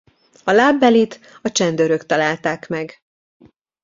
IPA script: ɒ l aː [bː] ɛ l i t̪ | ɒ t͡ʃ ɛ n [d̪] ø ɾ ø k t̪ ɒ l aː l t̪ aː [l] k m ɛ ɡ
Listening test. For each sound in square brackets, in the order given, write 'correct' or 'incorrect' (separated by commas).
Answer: correct, correct, incorrect